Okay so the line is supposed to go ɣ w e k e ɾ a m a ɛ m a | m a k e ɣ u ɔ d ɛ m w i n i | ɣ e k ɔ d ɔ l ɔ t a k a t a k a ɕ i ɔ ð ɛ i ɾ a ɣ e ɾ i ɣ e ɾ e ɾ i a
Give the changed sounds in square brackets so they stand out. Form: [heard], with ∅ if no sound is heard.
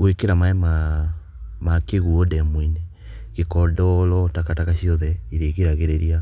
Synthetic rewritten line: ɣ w e k e ɾ a m a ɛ m a | m a k e ɣ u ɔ d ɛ m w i n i | ɣ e k ɔ d ɔ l ɔ t a k a t a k a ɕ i ɔ ð ɛ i ɾ [e] ɣ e ɾ [a] ɣ e ɾ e ɾ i a

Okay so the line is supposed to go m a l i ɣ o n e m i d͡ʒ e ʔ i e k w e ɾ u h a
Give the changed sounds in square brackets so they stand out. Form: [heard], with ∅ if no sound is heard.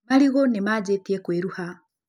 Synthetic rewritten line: m a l i ɣ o n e m [a] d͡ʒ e [t] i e k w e ɾ u h a

